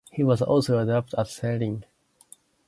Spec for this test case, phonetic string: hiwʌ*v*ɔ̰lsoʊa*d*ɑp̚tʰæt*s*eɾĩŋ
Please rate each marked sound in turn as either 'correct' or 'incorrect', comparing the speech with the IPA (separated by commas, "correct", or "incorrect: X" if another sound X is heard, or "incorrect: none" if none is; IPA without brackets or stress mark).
incorrect: z, correct, correct